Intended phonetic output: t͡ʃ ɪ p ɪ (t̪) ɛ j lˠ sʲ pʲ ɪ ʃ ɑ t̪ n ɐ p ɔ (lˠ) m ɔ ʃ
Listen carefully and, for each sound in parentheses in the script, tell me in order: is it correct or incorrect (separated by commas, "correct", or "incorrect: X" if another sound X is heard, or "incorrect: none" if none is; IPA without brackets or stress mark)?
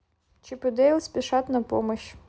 incorrect: d̪, incorrect: none